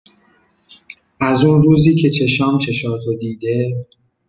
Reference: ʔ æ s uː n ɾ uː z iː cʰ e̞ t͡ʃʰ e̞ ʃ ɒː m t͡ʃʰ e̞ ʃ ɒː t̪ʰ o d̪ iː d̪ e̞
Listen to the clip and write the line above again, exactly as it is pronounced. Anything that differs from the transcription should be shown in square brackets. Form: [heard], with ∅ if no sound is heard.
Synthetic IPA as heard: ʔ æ [z] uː n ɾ uː z iː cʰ e̞ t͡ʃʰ e̞ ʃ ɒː m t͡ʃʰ e̞ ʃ ɒː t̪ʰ o d̪ iː d̪ e̞